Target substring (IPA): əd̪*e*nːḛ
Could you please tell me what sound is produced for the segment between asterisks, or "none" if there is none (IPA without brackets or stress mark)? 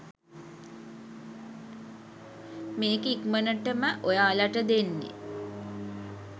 e